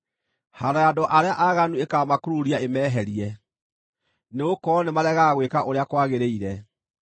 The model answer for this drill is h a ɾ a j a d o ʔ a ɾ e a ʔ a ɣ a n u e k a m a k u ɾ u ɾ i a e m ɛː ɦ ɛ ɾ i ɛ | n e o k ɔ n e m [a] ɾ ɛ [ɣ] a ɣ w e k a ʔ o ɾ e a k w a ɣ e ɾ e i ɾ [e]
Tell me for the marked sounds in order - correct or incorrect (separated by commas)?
correct, correct, incorrect